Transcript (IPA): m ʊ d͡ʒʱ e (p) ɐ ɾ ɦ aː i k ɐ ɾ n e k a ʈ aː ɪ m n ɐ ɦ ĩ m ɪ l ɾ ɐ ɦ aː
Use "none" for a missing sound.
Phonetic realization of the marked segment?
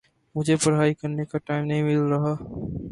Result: p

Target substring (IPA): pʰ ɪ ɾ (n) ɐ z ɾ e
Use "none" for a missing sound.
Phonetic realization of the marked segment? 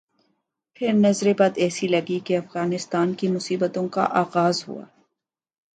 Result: n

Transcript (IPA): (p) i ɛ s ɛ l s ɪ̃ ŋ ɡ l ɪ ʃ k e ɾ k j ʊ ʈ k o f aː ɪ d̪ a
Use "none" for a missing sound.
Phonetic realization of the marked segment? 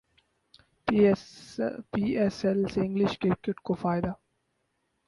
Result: p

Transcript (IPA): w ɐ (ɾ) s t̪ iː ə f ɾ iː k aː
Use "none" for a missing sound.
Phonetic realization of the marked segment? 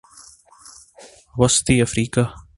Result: none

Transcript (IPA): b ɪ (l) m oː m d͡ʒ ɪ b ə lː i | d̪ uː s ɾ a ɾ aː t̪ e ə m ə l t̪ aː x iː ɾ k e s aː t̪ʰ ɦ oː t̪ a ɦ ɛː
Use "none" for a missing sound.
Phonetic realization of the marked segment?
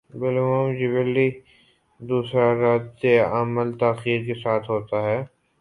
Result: l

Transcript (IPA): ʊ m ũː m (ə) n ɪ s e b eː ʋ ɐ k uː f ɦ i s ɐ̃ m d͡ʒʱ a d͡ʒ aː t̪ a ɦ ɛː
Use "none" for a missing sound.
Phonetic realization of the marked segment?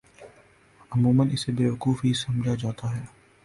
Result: ə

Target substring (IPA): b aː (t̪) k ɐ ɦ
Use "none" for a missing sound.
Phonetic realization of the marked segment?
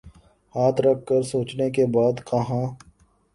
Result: d̪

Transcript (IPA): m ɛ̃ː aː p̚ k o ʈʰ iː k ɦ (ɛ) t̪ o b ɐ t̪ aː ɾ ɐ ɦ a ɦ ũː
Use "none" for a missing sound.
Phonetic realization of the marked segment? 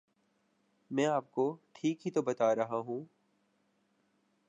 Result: i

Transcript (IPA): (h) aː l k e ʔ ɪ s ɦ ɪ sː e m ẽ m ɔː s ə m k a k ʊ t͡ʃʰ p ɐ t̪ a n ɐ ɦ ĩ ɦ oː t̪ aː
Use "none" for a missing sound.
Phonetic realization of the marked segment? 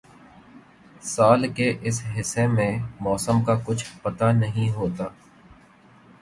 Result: s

